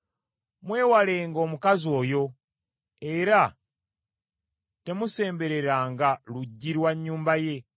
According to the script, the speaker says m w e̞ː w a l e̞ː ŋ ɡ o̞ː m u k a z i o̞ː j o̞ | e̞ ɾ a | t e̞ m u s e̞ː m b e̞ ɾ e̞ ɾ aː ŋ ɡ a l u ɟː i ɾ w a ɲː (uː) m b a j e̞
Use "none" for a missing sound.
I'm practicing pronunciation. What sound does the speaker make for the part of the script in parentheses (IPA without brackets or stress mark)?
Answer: uː